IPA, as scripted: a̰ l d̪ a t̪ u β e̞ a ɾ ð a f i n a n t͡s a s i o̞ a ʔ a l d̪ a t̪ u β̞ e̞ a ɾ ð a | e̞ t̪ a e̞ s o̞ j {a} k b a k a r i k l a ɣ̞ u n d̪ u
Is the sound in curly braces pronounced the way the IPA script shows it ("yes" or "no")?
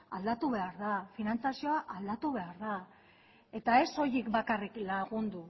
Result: no